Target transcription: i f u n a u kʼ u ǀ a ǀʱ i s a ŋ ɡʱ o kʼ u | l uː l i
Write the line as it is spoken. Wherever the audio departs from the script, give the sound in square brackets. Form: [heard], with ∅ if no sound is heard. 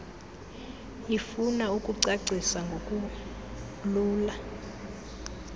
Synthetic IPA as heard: i f u n a u kʼ u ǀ a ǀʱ i s a ŋ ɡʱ o kʼ u | l uː l [a]